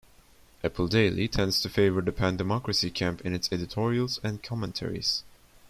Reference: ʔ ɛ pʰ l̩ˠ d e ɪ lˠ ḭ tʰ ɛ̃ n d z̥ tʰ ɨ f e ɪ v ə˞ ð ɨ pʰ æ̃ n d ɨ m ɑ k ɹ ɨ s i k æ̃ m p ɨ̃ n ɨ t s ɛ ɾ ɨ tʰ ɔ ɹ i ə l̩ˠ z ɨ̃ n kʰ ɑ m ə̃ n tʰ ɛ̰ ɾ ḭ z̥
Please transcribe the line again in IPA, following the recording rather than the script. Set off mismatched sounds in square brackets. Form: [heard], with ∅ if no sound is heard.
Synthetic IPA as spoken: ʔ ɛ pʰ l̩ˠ d e ɪ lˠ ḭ tʰ ɛ̃ n d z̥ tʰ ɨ f e ɪ v ə˞ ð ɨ pʰ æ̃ n d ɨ m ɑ k ɹ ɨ s i [kʰ] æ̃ m p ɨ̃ n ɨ t s ɛ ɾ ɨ tʰ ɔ ɹ i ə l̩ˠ z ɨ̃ n kʰ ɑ m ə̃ n tʰ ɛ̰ [ɹ] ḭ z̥